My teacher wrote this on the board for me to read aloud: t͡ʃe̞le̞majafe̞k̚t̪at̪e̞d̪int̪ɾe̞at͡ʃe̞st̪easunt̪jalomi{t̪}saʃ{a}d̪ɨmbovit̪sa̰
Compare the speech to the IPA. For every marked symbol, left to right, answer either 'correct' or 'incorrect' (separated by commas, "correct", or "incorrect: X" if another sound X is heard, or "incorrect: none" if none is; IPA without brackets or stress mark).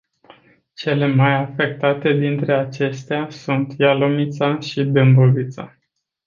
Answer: correct, incorrect: i